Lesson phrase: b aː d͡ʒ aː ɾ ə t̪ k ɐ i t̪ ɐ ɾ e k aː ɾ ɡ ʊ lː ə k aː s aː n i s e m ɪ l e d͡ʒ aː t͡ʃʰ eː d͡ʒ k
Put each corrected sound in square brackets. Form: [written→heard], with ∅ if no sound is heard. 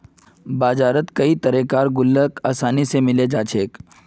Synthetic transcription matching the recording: b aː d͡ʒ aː ɾ ə t̪ k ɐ i t̪ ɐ ɾ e k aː ɾ ɡ ʊ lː ə k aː s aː n i s e m ɪ l e d͡ʒ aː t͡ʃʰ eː [d͡ʒ→∅] k